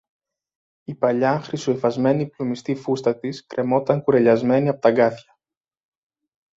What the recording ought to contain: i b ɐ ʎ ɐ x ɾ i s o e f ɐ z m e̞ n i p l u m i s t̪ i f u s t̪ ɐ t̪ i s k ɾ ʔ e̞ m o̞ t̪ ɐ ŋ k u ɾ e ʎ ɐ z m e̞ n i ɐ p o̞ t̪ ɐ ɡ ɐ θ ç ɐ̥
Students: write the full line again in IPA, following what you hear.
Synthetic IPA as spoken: i p ɐ ʎ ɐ x ɾ i s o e f ɐ z m e̞ n i p l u m i s t̪ i f u s t̪ ɐ t̪ i s k ɾ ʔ e̞ m o̞ t̪ ɐ ŋ k u ɾ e ʎ ɐ z m e̞ n i ɐ p o̞ t̪ ɐ ɡ ɐ θ ç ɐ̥